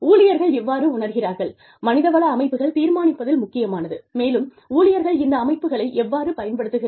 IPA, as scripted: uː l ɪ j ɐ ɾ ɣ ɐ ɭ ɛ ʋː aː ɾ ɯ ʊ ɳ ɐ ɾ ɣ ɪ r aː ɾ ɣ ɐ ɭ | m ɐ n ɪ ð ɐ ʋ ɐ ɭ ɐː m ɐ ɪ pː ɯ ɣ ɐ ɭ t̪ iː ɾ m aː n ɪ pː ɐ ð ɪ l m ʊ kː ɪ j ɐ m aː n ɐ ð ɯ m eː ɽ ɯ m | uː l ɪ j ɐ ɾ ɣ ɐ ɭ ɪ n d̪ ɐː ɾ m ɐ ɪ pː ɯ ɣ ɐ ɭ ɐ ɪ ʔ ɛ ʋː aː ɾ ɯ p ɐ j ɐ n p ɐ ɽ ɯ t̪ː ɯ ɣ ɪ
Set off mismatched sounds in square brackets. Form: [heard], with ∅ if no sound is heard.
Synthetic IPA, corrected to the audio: uː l ɪ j ɐ ɾ ɣ ɐ ɭ ɛ ʋː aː ɾ ɯ ʊ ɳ ɐ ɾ ɣ ɪ r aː ɾ ɣ ɐ ɭ | m ɐ n ɪ ð ɐ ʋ ɐ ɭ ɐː m ɐ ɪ pː ɯ ɣ ɐ ɭ t̪ iː ɾ m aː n ɪ pː ɐ ð ɪ l m ʊ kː ɪ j ɐ m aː n ɐ ð ɯ m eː [l] ɯ m | uː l ɪ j ɐ ɾ ɣ ɐ ɭ ɪ n d̪ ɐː [∅] m ɐ ɪ pː ɯ ɣ ɐ ɭ ɐ ɪ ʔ ɛ ʋː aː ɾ ɯ p ɐ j ɐ n p ɐ ɽ ɯ t̪ː ɯ ɣ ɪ